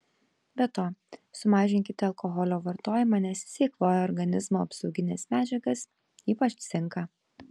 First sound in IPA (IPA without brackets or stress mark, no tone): bʲ